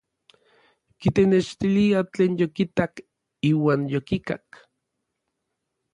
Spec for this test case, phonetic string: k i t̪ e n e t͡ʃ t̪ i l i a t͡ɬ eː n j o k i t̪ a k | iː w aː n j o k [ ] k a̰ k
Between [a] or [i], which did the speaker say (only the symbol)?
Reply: i